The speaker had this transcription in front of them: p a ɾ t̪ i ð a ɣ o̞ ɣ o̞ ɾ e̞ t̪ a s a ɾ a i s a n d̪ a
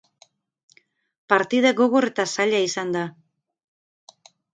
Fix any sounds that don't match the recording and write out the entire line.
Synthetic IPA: p a ɾ t̪ i ð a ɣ o̞ ɣ o̞ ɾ e̞ t̪ a s a ʎ a i s a n d̪ a